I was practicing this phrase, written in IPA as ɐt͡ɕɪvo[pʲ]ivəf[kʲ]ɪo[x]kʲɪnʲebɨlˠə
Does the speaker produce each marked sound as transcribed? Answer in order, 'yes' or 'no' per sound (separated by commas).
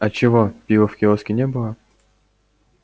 yes, yes, no